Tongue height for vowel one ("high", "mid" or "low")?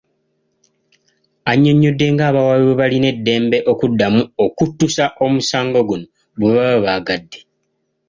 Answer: low